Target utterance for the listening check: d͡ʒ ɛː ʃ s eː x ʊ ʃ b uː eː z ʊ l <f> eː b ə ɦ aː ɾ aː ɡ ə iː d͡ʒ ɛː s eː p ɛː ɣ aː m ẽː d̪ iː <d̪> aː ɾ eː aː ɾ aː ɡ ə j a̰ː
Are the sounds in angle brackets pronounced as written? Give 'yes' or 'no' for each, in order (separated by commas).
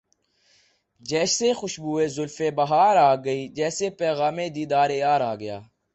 yes, yes